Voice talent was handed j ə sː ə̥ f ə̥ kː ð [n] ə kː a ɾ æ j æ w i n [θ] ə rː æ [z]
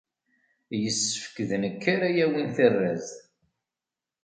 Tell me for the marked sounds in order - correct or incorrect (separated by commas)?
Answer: correct, correct, correct